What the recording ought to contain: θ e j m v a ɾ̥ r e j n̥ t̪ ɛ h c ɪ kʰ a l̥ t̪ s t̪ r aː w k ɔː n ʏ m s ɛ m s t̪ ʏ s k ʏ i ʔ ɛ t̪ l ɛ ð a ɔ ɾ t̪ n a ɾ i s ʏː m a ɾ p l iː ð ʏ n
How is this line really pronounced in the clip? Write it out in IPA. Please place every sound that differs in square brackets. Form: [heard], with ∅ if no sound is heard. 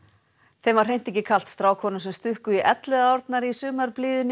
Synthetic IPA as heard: θ e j m v a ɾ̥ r e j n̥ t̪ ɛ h c ɪ kʰ a l̥ t̪ s t̪ [ɾ] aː w [kʰ] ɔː n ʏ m s ɛ m s t̪ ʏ [h] k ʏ i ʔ ɛ t̪ l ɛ ð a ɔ ɾ t̪ n a ɾ i s ʏː m a ɾ p l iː ð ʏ n